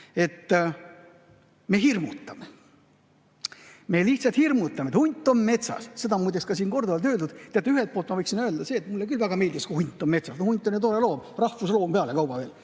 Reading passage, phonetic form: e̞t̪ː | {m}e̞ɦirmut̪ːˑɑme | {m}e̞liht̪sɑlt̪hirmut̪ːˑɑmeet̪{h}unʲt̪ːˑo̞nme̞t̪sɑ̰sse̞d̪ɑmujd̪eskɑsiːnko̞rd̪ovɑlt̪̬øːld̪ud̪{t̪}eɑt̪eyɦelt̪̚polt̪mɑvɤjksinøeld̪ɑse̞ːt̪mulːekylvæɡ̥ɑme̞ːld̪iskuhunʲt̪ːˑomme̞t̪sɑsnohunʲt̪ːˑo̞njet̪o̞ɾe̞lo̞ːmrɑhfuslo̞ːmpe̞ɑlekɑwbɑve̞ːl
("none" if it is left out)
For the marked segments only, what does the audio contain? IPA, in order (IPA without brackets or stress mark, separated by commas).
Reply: m, m, h, t̪